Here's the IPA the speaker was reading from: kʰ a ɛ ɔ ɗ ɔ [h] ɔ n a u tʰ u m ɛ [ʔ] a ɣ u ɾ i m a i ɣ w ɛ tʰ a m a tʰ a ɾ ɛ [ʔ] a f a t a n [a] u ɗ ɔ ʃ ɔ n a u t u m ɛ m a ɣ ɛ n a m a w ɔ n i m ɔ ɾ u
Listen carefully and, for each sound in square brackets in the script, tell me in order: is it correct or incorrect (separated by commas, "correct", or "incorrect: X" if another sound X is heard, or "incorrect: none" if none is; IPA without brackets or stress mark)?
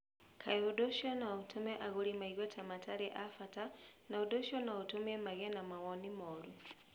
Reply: incorrect: ʃ, correct, correct, correct